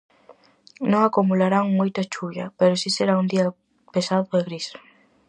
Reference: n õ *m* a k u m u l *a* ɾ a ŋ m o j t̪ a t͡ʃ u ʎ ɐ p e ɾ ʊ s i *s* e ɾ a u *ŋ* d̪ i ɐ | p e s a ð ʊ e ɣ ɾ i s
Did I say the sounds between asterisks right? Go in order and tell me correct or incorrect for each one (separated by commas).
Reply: incorrect, correct, correct, incorrect